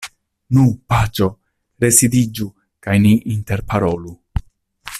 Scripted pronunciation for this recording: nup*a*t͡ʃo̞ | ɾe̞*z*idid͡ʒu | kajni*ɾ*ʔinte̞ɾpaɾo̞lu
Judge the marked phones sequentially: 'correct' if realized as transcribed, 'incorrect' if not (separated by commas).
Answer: correct, incorrect, incorrect